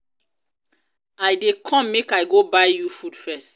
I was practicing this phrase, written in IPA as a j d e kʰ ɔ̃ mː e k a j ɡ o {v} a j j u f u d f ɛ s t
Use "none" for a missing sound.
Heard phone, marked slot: b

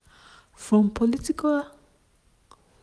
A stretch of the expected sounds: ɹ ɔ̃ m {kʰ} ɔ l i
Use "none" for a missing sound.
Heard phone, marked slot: pʰ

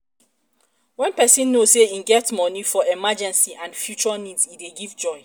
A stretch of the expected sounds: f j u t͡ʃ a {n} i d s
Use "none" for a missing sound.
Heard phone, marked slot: n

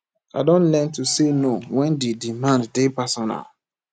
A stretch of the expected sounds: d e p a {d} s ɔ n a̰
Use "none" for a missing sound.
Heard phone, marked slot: none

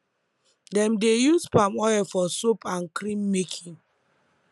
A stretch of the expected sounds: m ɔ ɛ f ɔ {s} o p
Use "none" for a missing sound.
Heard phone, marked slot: s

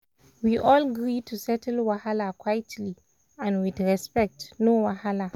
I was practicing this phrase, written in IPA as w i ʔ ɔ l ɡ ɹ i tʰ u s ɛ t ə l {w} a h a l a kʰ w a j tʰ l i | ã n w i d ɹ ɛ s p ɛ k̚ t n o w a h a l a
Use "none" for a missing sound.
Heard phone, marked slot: w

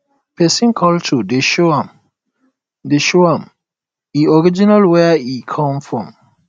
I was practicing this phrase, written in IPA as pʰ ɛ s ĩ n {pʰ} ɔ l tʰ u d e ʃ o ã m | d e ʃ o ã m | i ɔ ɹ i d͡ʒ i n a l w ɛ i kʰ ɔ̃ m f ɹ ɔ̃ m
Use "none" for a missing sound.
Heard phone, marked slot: kʰ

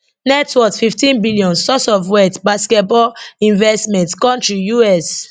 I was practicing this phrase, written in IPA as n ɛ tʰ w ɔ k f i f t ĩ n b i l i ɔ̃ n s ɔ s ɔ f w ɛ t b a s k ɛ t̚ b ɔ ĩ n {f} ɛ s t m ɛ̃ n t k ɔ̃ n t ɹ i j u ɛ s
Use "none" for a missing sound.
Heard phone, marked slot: v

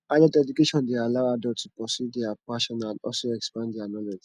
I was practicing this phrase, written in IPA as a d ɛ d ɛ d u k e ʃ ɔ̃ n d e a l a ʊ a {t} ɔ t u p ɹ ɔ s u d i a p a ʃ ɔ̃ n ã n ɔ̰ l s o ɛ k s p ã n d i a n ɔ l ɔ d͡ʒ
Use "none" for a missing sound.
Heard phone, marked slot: d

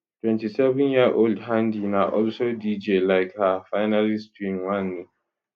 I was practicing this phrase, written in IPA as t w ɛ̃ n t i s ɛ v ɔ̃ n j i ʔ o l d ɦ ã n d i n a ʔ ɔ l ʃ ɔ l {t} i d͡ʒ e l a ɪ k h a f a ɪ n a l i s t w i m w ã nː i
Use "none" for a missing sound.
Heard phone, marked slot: d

